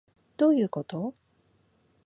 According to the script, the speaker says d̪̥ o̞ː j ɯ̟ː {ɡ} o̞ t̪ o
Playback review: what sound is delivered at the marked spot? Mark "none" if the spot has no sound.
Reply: k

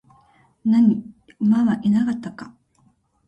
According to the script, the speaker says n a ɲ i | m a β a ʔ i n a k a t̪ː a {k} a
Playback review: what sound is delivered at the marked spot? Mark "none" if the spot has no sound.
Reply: k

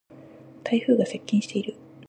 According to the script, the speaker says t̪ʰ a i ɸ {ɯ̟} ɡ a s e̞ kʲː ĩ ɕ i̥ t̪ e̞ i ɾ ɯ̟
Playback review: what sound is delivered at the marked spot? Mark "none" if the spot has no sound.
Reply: ɯ̟ː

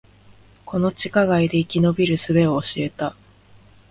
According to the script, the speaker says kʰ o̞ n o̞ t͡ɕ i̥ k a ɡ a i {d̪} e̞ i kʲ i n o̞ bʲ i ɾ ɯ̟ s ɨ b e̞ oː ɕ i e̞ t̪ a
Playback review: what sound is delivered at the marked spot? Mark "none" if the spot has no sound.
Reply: d̪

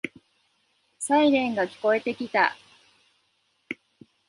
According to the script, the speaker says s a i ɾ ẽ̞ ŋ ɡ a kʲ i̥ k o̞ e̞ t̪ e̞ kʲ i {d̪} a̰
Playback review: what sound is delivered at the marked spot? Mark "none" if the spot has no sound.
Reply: t̪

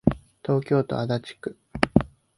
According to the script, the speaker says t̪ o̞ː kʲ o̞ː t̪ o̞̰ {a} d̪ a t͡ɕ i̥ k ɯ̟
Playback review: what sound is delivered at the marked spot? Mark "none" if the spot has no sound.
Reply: a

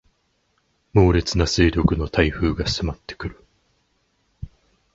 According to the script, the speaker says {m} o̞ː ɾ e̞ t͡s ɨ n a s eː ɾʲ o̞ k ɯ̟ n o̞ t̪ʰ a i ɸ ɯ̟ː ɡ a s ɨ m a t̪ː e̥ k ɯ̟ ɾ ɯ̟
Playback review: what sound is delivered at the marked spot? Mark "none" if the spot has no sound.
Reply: m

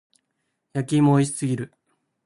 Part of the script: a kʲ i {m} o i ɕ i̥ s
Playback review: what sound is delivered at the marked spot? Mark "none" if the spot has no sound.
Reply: m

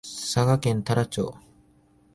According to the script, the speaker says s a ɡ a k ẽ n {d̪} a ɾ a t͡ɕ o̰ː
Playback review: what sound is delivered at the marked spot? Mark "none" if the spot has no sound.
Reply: t̪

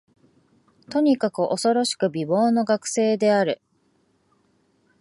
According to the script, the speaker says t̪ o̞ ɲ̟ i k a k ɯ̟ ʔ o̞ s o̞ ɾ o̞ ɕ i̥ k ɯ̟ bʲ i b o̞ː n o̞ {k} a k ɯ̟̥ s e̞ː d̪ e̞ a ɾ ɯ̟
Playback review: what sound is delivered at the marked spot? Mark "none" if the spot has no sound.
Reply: ɡ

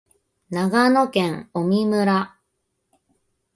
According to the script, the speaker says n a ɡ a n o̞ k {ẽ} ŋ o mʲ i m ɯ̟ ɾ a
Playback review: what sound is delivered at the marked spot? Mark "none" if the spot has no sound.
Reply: ẽ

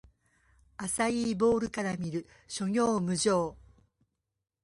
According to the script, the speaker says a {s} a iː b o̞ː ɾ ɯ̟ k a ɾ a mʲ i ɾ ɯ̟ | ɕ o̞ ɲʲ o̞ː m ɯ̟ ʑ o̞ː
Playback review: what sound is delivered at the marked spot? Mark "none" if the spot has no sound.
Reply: s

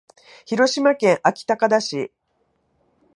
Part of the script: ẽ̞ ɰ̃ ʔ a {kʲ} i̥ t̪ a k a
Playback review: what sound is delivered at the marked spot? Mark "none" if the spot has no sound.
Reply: kʲ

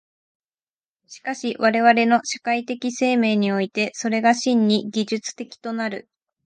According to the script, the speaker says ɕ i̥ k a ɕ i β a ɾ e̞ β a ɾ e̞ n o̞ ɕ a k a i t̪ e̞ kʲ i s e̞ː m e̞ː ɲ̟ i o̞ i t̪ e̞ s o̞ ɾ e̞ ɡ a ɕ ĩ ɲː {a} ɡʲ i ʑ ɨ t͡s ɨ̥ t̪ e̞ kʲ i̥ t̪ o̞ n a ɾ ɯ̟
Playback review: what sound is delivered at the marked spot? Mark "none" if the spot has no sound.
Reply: i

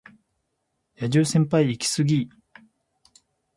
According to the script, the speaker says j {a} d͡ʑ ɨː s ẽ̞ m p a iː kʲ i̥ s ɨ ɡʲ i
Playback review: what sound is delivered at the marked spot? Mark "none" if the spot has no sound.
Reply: a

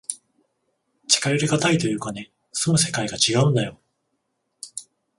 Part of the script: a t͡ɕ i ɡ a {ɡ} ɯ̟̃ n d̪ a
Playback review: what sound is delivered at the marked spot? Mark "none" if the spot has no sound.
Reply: none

